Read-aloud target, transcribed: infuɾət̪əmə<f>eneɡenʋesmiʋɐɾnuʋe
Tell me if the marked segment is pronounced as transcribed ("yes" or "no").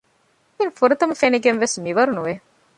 yes